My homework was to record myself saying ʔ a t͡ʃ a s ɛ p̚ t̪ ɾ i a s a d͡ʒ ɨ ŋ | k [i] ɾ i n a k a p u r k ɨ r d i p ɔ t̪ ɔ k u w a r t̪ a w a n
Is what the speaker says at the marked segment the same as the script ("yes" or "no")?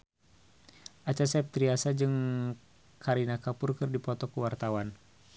no